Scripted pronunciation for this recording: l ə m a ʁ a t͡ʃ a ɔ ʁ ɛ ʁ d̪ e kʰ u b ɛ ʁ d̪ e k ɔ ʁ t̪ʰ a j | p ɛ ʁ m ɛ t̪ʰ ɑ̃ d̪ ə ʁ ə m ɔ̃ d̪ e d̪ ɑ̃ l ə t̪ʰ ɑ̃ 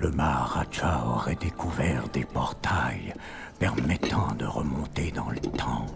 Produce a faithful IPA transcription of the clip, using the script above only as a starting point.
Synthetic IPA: l ə m a ʁ a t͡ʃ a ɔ ʁ ɛ d̪ e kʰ u v ɛ ʁ d̪ e p ɔ ʁ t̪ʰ a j | p ɛ ʁ m ɛ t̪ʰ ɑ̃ d̪ ə ʁ ə m ɔ̃ t̪ e d̪ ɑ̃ l ə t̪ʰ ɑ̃